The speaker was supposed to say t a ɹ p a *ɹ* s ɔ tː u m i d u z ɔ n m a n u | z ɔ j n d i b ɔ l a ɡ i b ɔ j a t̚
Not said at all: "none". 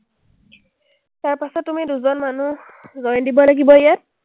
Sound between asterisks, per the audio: none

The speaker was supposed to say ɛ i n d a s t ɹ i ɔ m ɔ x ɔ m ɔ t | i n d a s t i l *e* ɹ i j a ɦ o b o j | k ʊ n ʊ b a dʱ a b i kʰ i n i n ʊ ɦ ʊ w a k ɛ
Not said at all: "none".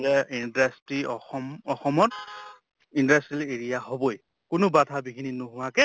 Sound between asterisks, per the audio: e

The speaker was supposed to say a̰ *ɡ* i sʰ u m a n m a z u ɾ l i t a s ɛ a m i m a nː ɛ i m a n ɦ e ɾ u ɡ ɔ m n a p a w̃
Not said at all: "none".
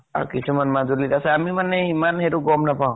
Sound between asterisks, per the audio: k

